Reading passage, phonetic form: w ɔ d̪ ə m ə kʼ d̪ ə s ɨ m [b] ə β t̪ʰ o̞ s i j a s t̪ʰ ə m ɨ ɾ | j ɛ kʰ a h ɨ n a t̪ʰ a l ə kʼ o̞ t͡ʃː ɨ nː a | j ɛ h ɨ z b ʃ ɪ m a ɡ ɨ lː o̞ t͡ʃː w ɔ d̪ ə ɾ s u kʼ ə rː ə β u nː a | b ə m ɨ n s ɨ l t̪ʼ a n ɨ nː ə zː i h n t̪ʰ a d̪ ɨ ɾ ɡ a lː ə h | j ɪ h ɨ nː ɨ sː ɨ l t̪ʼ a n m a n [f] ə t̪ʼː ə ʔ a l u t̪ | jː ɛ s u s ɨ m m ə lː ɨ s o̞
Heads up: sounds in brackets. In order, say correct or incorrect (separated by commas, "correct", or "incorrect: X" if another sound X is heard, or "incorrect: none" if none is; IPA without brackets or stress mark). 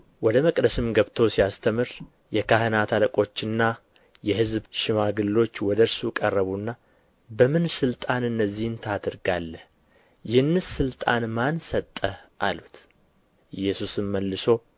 incorrect: ɡ, incorrect: s